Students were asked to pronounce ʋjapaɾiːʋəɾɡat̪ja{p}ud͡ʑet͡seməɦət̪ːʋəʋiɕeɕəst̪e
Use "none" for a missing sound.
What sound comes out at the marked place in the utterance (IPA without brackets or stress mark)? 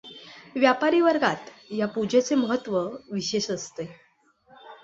p